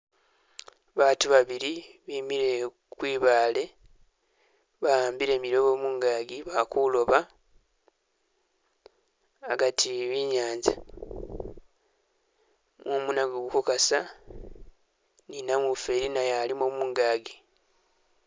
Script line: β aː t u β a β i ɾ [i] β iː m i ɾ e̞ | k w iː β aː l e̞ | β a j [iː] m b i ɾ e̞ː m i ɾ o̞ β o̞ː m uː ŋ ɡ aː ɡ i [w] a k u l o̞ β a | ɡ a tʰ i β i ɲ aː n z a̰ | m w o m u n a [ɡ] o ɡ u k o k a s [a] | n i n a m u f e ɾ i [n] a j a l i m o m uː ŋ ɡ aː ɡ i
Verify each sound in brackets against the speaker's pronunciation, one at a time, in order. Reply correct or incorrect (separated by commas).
correct, incorrect, incorrect, correct, correct, correct